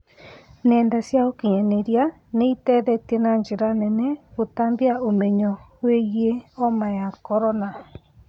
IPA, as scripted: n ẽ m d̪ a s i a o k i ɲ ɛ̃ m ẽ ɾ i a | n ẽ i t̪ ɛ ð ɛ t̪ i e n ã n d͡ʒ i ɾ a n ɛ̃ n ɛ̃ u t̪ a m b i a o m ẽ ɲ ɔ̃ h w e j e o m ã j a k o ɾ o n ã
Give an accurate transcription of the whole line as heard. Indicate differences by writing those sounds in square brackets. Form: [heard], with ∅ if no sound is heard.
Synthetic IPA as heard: n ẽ [n] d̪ a s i a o k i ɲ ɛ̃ [n] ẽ ɾ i a | n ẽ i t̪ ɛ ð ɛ t̪ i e n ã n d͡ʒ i ɾ a n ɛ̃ n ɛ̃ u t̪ a m b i a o m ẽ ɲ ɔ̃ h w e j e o m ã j a k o ɾ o n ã